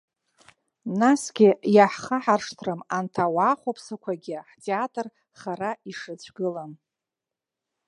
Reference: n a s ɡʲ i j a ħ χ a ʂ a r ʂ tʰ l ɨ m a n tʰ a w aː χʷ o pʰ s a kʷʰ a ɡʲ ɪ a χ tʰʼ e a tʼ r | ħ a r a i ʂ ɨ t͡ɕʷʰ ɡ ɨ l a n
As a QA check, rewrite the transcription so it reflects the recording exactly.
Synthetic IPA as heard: n a s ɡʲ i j a ħ χ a ħ a r ʂ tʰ r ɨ m a n tʰ a w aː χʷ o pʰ s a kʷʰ a ɡʲ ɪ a ħ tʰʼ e a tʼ r | χ a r a i ʂ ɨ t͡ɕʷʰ ɡ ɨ l a n